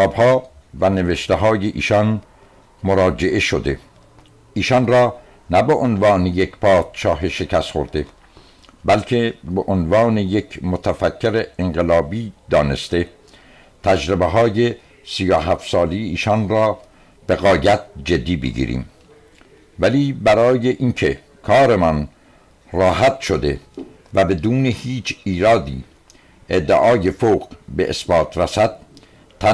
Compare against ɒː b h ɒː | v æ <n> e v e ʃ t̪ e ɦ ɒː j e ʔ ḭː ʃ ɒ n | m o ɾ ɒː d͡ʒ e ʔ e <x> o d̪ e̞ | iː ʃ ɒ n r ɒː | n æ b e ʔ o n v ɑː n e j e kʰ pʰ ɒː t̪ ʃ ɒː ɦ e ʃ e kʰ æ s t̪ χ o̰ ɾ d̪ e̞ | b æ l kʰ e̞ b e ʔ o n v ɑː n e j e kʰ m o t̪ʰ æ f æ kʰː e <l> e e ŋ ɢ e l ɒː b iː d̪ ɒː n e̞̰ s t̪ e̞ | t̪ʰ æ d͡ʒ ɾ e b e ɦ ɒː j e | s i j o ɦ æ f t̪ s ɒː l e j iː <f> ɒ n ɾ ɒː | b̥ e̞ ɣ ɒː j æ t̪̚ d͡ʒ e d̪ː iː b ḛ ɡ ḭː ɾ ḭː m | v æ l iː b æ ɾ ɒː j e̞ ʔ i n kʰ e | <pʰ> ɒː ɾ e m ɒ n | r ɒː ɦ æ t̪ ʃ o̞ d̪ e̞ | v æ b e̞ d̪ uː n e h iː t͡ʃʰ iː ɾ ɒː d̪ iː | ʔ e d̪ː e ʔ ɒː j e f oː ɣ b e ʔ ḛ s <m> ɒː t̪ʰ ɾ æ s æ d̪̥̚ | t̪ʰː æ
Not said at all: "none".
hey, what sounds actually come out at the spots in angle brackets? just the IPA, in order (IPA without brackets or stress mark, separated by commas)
n, ʃ, ɾ, ʃ, kʰ, b